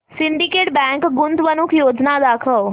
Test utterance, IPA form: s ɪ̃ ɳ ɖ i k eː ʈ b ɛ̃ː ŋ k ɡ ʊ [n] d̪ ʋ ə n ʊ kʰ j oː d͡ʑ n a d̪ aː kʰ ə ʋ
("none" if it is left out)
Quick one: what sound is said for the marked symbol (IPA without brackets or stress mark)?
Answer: n